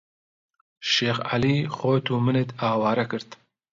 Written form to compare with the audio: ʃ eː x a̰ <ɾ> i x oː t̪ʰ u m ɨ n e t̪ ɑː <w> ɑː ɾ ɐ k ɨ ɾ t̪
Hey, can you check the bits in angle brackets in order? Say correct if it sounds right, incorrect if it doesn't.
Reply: incorrect: l, correct

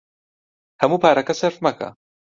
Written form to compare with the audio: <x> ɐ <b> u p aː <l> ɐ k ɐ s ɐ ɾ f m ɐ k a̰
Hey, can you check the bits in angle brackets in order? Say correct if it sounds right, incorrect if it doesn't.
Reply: incorrect: h, incorrect: m, incorrect: ɾ

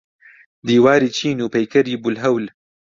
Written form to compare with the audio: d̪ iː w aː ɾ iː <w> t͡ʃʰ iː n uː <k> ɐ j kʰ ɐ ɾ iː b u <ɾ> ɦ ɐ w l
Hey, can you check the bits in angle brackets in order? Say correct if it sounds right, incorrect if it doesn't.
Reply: incorrect: none, incorrect: p, incorrect: l

